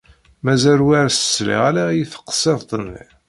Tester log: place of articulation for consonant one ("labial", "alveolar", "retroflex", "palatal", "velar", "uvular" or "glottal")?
labial